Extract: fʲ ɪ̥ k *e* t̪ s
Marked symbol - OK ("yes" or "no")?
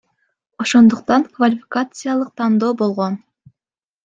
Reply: no